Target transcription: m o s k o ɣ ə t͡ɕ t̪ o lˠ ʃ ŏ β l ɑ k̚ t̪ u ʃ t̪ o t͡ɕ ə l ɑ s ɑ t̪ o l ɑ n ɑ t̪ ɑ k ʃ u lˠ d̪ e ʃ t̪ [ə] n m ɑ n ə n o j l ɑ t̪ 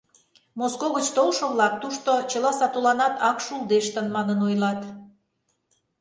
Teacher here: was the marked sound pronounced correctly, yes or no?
yes